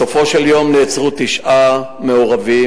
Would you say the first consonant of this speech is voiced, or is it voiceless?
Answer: voiceless